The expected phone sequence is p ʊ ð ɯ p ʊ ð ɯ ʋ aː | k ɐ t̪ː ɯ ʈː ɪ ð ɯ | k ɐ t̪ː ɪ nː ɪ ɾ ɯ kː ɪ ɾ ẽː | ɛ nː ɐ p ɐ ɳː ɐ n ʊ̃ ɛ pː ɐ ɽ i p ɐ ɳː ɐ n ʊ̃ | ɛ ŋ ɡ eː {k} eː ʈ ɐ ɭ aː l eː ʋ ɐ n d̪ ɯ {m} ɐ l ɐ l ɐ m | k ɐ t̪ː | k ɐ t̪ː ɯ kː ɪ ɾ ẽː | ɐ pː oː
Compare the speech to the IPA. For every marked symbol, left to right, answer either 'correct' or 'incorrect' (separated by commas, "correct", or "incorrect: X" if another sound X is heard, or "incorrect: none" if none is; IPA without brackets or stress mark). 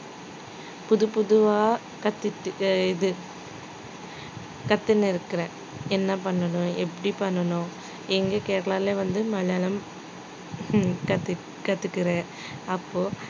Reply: correct, correct